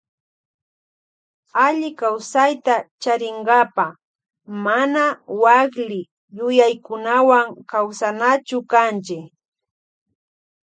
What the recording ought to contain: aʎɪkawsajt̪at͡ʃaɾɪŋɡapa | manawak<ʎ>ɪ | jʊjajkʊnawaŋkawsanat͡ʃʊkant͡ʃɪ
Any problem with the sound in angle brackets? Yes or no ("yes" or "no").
yes